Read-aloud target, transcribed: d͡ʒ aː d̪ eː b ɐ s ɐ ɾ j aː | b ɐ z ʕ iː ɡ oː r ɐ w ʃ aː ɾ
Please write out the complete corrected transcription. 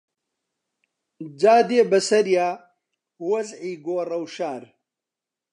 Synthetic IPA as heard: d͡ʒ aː d̪ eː b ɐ s ɐ ɾ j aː | w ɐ z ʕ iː ɡ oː r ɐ w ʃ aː ɾ